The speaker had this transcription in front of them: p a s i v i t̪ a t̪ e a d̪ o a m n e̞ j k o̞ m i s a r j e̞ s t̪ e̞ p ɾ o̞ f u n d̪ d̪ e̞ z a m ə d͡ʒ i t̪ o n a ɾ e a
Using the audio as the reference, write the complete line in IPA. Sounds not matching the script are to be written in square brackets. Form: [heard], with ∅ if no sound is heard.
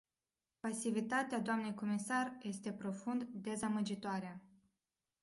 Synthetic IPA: p a s i v i t̪ a t̪ e a d̪ o a m n e̞ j k o̞ m i s a r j e̞ s t̪ e̞ p ɾ o̞ f u n d̪ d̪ e̞ z a m ə d͡ʒ i t̪ o [∅] a ɾ e a